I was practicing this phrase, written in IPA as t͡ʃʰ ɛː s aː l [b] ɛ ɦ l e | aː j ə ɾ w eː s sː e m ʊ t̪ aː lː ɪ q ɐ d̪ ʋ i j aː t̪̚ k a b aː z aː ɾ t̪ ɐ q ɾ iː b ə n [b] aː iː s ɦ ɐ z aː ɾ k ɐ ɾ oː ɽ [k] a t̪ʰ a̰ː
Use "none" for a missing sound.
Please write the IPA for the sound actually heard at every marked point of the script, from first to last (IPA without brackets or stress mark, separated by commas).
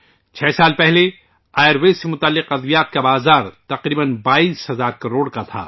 p, b, k